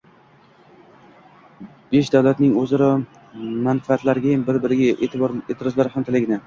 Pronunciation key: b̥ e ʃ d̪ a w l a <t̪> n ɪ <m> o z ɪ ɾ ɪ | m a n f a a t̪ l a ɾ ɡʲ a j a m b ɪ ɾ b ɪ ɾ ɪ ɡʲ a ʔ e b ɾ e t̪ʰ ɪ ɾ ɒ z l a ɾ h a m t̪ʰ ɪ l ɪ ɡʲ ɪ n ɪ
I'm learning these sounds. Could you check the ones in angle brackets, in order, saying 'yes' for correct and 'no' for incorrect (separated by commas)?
yes, no